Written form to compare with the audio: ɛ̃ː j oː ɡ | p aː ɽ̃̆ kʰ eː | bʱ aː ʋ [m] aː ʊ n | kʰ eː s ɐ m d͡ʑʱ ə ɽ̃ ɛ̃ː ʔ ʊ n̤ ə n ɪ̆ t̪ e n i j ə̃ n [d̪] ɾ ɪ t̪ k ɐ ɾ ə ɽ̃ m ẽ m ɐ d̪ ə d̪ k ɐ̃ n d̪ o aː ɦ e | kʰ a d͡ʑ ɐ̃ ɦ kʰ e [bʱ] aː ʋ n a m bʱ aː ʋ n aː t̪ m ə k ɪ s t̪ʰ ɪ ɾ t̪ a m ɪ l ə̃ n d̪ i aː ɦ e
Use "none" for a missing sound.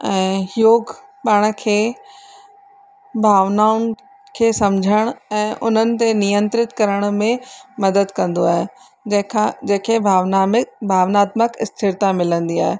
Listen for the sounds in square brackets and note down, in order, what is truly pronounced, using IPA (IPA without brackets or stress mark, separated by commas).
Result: n, t̪, bʱ